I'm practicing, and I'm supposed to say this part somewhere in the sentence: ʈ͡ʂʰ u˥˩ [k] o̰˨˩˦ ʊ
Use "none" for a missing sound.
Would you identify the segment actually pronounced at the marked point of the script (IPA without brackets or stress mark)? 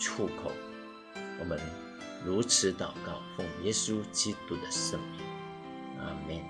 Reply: kʰ